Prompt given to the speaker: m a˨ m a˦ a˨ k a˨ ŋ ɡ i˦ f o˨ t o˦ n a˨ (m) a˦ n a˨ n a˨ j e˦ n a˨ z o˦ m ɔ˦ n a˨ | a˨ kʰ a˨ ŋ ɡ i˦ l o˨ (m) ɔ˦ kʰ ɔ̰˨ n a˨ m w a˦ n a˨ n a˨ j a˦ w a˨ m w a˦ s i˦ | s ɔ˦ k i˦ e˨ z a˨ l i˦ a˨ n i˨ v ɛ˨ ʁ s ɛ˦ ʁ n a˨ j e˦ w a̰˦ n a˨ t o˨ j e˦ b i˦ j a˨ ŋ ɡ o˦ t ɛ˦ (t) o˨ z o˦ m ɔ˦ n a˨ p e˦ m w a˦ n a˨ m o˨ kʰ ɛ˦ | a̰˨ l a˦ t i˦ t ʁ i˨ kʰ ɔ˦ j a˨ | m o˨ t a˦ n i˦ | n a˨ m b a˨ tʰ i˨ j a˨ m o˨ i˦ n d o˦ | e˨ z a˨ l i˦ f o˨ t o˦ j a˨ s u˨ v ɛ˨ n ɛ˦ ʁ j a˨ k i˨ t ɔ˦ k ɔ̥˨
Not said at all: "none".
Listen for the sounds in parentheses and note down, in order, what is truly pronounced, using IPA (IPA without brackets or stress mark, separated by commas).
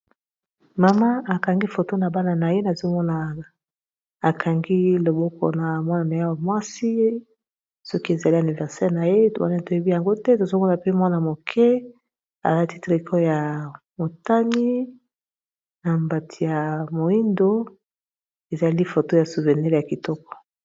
b, b, t